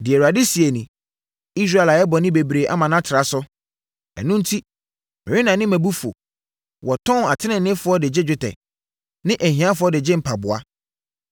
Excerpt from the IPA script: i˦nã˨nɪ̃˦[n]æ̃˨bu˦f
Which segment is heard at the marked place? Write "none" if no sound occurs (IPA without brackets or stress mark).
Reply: m